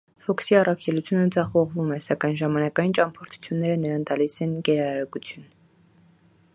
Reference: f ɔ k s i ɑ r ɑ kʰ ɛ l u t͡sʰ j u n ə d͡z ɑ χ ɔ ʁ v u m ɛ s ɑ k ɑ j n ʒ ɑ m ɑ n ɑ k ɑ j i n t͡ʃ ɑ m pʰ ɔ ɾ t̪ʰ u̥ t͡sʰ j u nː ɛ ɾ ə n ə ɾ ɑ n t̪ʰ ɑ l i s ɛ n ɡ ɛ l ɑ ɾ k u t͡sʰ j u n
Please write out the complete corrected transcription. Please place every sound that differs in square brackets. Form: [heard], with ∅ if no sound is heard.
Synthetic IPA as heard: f ɔ k s i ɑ r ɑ kʰ ɛ l u t͡sʰ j u n ə d͡z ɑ χ ɔ ʁ v u m ɛ s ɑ k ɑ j n ʒ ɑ m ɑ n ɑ k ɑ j i n t͡ʃ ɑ m pʰ ɔ ɾ t̪ʰ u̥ t͡sʰ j u nː ɛ ɾ ə n ə ɾ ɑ n [t̪] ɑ l i s ɛ n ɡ ɛ [ɾ] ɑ ɾ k u t͡sʰ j u n